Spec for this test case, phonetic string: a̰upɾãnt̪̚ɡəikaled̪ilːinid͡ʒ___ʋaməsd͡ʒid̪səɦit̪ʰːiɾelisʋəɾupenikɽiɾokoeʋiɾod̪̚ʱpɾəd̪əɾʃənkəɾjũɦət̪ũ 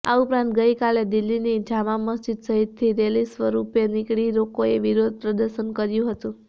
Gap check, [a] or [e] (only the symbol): a